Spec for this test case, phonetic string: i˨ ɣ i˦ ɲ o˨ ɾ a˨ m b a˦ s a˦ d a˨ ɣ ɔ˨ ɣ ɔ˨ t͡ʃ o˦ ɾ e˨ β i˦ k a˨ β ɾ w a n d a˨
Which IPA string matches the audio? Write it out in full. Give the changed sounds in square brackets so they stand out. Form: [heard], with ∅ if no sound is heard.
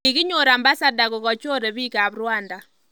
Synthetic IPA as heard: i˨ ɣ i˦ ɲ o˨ ɾ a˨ m b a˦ s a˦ d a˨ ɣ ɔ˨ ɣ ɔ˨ t͡ʃ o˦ ɾ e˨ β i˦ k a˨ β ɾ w a n d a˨